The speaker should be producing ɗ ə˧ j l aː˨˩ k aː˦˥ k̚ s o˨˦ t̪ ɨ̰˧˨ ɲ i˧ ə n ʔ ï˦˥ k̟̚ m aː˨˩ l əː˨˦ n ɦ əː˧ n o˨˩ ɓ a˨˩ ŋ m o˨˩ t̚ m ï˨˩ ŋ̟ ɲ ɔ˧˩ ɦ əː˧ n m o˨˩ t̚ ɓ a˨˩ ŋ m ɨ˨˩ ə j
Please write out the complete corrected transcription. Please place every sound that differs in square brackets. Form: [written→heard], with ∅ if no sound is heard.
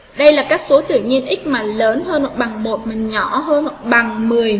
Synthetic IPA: ɗ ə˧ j l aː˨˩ k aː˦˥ k̚ s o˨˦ t̪ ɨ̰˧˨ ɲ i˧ ə n ʔ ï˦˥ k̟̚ m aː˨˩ l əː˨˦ n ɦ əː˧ n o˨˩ ɓ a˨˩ ŋ m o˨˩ t̚ m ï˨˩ ŋ̟ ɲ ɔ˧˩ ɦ əː˧ n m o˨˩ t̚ ɓ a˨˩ ŋ m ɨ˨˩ ə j